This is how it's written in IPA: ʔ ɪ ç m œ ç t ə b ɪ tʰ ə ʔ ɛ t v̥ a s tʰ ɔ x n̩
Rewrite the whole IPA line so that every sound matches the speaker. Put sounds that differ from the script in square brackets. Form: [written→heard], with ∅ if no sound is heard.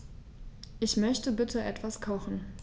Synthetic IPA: ʔ ɪ ç m œ ç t ə b ɪ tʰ ə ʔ ɛ t v̥ a s [tʰ→kʰ] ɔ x n̩

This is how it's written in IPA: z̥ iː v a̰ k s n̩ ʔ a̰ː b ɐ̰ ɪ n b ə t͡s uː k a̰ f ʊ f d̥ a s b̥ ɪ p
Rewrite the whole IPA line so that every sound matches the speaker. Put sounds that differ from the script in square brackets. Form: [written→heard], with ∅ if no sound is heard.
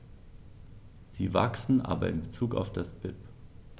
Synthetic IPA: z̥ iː v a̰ k s n̩ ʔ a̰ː b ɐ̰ ɪ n b ə t͡s uː k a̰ [f→∅] ʊ f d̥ a s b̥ ɪ p

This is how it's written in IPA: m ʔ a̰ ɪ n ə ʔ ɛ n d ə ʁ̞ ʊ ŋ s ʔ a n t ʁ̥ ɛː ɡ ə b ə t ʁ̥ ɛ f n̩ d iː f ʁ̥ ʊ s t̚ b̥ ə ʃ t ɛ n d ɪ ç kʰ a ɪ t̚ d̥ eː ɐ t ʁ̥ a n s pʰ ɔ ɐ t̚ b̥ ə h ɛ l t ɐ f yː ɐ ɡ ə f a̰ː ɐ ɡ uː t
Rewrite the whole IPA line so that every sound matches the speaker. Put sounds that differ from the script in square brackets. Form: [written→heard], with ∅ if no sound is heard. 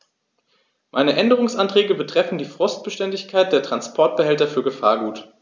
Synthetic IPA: m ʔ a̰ ɪ n ə ʔ ɛ n d ə ʁ̞ ʊ ŋ s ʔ a n t ʁ̥ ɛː ɡ ə b ə t ʁ̥ ɛ f n̩ d iː f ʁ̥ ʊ s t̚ b̥ ə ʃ t ɛ n d ɪ ç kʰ a ɪ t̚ d̥ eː ɐ t ʁ̥ a n s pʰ ɔ ɐ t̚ b̥ ə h ɛ l t ɐ f yː ɐ ɡ ə f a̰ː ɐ ɡ uː t

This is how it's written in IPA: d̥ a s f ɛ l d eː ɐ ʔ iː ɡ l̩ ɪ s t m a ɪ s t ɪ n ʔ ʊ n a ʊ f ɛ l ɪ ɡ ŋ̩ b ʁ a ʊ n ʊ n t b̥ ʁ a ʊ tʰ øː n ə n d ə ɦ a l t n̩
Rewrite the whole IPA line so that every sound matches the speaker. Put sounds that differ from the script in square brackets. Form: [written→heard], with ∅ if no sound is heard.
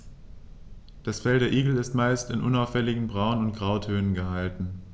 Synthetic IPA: d̥ a s f ɛ l d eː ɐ ʔ iː ɡ l̩ ɪ s t m a ɪ s t ɪ n ʔ ʊ n a ʊ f ɛ l ɪ ɡ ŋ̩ b ʁ a ʊ n ʊ n t [b̥→ɡ̥] ʁ a ʊ tʰ øː n ə n [d→ɡ] ə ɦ a l t n̩

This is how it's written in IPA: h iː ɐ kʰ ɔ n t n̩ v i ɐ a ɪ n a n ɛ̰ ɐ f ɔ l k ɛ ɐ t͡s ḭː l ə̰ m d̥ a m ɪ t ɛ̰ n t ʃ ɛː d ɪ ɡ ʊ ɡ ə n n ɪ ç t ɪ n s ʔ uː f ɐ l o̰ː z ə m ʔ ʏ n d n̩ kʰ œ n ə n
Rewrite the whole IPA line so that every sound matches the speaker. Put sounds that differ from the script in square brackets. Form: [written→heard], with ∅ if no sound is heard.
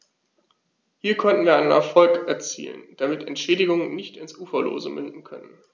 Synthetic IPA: h iː ɐ kʰ ɔ n t n̩ v [i→iː] ɐ a ɪ n [a→ə] n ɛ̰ ɐ f ɔ l k ɛ ɐ t͡s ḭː l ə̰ [m→n] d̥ a m ɪ t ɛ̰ n t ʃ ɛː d ɪ ɡ ʊ [ɡ→ŋ] ə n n ɪ ç t ɪ n s ʔ uː f ɐ l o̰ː z ə m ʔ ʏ n d n̩ kʰ œ n ə n

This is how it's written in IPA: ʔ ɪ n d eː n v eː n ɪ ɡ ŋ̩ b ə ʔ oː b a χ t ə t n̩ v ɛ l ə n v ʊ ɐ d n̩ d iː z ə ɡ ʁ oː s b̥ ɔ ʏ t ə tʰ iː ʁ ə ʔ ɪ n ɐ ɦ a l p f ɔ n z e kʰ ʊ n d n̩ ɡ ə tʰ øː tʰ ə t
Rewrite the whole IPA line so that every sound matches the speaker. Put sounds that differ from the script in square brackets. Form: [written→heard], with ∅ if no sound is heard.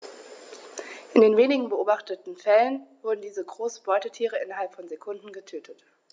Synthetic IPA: ʔ ɪ n d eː n v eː n ɪ ɡ ŋ̩ b ə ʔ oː b a χ t ə t n̩ [v→f] ɛ l ə n v ʊ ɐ d n̩ d iː z ə ɡ ʁ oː s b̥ ɔ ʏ t ə tʰ iː ʁ ə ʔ ɪ n ɐ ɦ a l p f ɔ n z e kʰ ʊ n d n̩ ɡ ə tʰ øː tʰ ə t

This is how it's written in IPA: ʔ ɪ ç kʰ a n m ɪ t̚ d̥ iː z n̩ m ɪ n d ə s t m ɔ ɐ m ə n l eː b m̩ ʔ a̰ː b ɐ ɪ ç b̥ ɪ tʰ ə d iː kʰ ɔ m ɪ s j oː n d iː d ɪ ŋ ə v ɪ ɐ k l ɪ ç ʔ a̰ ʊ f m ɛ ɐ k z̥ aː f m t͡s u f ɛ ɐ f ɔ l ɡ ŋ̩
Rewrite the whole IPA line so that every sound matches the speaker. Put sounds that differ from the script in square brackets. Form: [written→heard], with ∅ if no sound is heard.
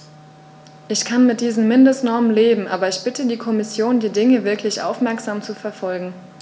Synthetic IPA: ʔ ɪ ç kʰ a n m ɪ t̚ d̥ iː z n̩ m ɪ n d ə s t [m→n] ɔ ɐ m ə n l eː b m̩ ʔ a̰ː b ɐ ɪ ç b̥ ɪ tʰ ə d iː kʰ ɔ m ɪ s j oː n d iː d ɪ ŋ ə v ɪ ɐ k l ɪ ç ʔ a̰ ʊ f m ɛ ɐ k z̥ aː [f→∅] m t͡s u f ɛ ɐ f ɔ l ɡ ŋ̩

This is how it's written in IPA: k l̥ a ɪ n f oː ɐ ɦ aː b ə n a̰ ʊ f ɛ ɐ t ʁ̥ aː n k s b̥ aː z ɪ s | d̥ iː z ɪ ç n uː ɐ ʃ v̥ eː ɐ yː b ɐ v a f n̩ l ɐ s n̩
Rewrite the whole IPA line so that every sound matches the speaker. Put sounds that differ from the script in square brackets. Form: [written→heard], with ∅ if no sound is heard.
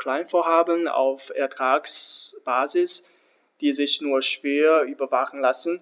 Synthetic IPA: k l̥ a ɪ n f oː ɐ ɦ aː b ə n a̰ ʊ f ɛ ɐ t ʁ̥ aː [n→∅] k s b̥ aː z ɪ s | d̥ iː z ɪ ç n uː ɐ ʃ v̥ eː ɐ yː b ɐ v a [f→χ] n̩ l [ɐ→a] s n̩

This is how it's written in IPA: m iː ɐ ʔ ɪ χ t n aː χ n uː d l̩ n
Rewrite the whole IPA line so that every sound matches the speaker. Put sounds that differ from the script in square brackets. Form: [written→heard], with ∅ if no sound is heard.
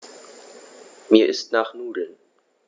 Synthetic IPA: m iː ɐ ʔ ɪ [χ→s] t n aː χ n uː d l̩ n

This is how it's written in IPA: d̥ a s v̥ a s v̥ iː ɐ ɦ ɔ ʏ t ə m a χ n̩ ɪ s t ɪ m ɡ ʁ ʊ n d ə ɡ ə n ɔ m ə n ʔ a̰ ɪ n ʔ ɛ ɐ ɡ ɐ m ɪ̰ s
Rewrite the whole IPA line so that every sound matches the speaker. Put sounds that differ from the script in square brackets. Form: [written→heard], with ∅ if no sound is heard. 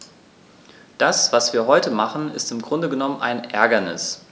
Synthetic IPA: d̥ a s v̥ a s v̥ iː ɐ ɦ ɔ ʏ t ə m a χ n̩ ɪ s t ɪ m ɡ ʁ ʊ n d ə ɡ ə n ɔ m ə n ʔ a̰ ɪ n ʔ ɛ ɐ ɡ ɐ [m→n] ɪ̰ s

